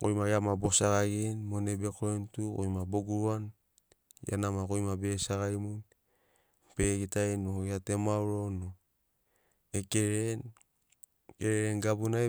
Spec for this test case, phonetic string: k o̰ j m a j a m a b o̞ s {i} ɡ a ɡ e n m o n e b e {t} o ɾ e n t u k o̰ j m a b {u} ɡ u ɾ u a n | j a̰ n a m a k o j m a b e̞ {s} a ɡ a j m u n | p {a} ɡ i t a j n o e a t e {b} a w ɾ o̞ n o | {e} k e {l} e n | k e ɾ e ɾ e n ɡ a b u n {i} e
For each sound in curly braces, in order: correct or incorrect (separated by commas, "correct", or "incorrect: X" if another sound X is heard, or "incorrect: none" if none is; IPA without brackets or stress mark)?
incorrect: a, incorrect: k, incorrect: o, correct, incorrect: e, incorrect: m, correct, incorrect: ɾ, incorrect: a